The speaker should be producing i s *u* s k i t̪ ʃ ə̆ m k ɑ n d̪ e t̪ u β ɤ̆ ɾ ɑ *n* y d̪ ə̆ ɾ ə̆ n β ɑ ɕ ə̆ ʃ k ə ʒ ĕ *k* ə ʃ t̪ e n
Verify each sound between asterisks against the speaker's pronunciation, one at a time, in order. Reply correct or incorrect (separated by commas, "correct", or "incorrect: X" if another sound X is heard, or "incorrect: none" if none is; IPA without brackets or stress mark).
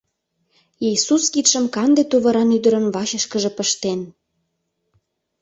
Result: correct, correct, incorrect: p